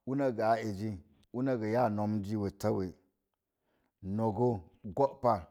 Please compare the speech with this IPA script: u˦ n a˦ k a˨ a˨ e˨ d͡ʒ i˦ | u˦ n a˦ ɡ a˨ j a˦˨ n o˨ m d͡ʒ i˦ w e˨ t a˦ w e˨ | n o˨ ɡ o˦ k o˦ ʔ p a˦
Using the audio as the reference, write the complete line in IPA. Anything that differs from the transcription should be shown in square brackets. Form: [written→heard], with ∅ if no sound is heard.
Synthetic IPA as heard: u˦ n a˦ [k→ɡ] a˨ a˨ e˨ d͡ʒ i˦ | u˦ n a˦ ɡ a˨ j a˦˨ n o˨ m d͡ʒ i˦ w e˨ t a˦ w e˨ | n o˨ ɡ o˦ [k→ɡ] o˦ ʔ p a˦